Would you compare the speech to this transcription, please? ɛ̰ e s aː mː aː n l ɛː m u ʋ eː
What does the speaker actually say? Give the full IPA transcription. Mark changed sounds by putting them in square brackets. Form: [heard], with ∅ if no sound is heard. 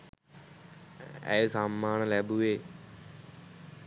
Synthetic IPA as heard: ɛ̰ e s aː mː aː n l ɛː [b] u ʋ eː